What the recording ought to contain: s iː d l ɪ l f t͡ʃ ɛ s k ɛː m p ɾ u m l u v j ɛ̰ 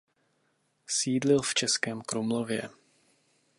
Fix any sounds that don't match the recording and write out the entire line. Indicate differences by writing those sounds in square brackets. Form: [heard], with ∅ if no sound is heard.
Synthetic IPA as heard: s iː d l ɪ l f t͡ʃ ɛ s k ɛː m [k] ɾ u m l [o] v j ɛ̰

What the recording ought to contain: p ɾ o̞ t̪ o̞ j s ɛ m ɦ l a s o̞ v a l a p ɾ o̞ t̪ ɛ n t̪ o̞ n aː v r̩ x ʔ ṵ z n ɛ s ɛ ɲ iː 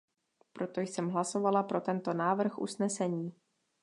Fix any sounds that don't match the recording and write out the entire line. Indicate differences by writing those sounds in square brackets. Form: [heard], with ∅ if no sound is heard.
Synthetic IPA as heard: p ɾ o̞ t̪ o̞ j s ɛ m ɦ l a s o̞ v a l a p ɾ o̞ t̪ ɛ n t̪ o̞ n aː v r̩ x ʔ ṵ [s] n ɛ s ɛ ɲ iː

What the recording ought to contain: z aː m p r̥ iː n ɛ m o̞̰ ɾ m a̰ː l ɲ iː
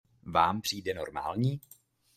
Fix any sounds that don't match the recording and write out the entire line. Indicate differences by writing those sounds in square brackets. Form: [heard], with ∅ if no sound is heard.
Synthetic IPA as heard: [v] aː m p r̥ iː [d] ɛ [n] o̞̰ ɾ m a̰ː l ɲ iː

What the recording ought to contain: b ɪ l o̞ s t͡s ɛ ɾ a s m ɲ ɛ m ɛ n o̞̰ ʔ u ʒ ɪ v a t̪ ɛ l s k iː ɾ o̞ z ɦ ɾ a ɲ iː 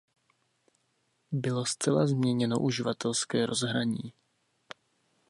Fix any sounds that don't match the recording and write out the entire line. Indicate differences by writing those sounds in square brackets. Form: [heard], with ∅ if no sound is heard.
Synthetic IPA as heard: b ɪ l o̞ s t͡s ɛ [l] a [z] m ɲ ɛ [ɲ] ɛ n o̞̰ ʔ u ʒ ɪ v a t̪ ɛ l s k [ɛː] ɾ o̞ z ɦ ɾ a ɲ iː

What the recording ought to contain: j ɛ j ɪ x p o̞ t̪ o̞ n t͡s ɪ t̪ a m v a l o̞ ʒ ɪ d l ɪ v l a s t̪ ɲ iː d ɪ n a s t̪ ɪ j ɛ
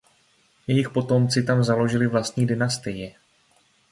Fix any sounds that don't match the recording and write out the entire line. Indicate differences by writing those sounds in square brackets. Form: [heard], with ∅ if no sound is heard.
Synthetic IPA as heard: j ɛ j ɪ x p o̞ t̪ o̞ [m] t͡s ɪ t̪ a m [z] a l o̞ ʒ ɪ [∅] l ɪ v l a s t̪ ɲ iː d ɪ n a s t̪ ɪ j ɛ

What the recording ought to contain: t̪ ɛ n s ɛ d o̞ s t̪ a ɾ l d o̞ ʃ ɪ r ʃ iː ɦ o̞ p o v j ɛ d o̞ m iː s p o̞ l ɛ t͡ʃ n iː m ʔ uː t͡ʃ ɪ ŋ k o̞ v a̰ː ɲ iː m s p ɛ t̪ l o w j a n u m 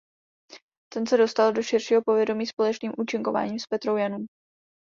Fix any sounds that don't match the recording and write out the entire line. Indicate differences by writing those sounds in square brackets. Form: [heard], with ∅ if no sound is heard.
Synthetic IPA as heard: t̪ ɛ n s ɛ d o̞ s t̪ a [∅] l d o̞ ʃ ɪ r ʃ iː ɦ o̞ p o v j ɛ d o̞ m iː s p o̞ l ɛ t͡ʃ n iː m ʔ uː t͡ʃ ɪ ŋ k o̞ v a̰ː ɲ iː m s p ɛ t̪ [ɾ] o w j a n u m

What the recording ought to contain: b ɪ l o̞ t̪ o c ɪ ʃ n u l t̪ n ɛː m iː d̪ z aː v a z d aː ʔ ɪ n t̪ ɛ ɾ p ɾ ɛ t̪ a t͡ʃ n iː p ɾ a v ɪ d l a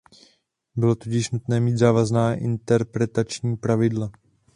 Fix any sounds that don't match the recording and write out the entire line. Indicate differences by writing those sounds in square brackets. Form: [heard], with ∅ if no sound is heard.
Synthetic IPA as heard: b ɪ l o̞ t̪ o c ɪ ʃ n u [∅] t̪ n ɛː m iː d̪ z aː v a z [n] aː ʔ ɪ n t̪ ɛ ɾ p ɾ ɛ t̪ a t͡ʃ [ɲ] iː p ɾ a v ɪ d l a

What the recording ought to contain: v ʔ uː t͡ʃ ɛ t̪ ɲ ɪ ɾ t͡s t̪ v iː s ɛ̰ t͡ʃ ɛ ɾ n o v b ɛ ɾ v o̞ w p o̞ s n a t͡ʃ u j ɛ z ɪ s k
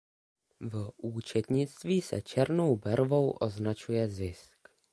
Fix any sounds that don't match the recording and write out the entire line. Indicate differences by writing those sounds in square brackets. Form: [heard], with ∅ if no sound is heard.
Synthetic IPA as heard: v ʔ uː t͡ʃ ɛ t̪ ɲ ɪ [∅] t͡s t̪ v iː s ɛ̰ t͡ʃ ɛ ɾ n o [w] b ɛ ɾ v o̞ w [ʔ] o̞ [z] n a t͡ʃ u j ɛ z ɪ s k

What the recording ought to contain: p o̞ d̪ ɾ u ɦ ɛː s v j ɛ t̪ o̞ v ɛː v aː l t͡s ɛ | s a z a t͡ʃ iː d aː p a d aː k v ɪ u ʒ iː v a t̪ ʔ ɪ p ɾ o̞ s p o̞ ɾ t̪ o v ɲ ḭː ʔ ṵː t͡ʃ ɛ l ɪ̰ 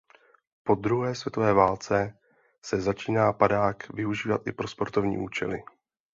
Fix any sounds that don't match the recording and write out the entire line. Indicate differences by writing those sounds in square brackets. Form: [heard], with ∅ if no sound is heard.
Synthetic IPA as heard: p o̞ d̪ ɾ u ɦ ɛː s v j ɛ t̪ o̞ v ɛː v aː l t͡s ɛ | s [ɛ] z a t͡ʃ iː [n] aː p a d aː k v ɪ u ʒ iː v a t̪ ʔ ɪ p ɾ o̞ s p o̞ ɾ t̪ o v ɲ ḭː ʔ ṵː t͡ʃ ɛ l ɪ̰

